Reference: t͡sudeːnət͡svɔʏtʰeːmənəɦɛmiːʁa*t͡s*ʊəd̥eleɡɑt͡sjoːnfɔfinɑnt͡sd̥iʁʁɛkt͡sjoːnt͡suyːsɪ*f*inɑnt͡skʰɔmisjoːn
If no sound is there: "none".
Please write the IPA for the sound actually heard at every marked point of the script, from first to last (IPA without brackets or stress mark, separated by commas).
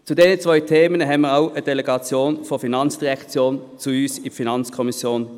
none, f